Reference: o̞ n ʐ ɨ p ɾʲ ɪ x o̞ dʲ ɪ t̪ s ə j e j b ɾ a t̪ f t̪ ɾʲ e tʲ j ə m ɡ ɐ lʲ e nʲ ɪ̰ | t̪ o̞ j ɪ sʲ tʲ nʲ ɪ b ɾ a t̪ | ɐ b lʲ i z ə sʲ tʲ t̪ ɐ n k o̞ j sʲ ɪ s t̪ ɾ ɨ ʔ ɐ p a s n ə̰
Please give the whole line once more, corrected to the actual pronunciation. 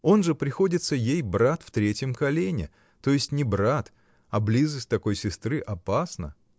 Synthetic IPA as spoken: o̞ n ʐ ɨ p ɾʲ ɪ x o̞ dʲ ɪ t̪ s ə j e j b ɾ a t̪ f t̪ ɾʲ e tʲ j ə m k ɐ lʲ e nʲ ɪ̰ | t̪ o̞ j ɪ sʲ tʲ nʲ ɪ b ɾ a t̪ | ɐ b lʲ i z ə sʲ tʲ t̪ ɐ k o̞ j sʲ ɪ s t̪ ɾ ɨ ʔ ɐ p a s n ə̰

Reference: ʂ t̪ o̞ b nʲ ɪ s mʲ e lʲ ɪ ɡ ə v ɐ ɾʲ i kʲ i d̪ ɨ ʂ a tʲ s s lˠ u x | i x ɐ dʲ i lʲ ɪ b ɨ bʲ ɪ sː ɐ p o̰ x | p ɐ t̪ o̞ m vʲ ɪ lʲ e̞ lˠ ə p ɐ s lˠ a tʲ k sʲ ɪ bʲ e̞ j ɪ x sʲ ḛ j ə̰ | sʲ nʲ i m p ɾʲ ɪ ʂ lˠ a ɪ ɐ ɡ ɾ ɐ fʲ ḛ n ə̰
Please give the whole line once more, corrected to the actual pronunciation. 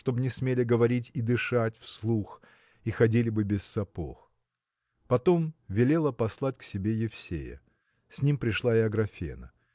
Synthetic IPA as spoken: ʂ t̪ o̞ b nʲ ɪ s mʲ e lʲ ɪ ɡ ə v ɐ ɾʲ i tʲ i d̪ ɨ ʂ a tʲ f s lˠ u x | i x ɐ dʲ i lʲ ɪ b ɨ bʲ ɪ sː ɐ p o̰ x | p ɐ t̪ o̞ m vʲ ɪ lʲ e̞ lˠ ə p ɐ s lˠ a tʲ k sʲ ɪ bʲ e̞ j ɪ f sʲ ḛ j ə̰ | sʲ nʲ i m p ɾʲ ɪ ʂ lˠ a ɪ ɐ ɡ ɾ ɐ fʲ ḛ n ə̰

